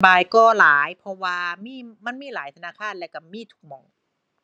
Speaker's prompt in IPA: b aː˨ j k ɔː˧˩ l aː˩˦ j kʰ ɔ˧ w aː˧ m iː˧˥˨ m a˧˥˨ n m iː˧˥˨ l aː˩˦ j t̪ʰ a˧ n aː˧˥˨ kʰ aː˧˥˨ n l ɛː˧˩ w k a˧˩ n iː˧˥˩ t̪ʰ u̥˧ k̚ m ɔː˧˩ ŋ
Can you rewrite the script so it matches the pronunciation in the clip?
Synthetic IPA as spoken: b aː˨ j k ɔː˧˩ l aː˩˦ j pʰ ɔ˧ w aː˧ m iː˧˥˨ m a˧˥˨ n m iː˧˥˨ l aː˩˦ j t̪ʰ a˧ n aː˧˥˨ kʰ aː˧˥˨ n l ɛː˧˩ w k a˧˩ m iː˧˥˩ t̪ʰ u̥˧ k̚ m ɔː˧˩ ŋ